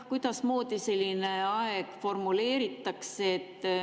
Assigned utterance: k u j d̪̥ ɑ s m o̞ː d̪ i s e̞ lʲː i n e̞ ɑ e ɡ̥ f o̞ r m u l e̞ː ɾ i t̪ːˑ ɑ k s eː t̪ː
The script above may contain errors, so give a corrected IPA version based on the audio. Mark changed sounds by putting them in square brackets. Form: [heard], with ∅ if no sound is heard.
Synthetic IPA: k u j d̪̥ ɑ s m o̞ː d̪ i s e̞ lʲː i n e̞ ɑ e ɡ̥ f o̞ r m u l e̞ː ɾ i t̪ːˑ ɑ k s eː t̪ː